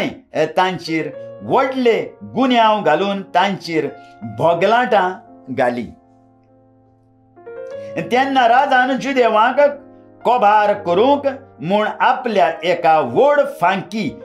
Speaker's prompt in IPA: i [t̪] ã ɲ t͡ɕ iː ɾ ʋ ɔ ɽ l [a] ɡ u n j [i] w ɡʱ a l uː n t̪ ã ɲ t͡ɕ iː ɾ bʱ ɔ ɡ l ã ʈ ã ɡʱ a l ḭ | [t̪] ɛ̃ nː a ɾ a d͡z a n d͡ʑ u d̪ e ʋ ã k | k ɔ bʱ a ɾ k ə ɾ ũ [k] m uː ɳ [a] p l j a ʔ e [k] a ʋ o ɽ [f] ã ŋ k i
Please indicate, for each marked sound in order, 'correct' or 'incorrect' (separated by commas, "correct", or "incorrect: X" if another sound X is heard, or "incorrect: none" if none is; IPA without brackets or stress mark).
correct, incorrect: e, incorrect: a, correct, correct, correct, correct, correct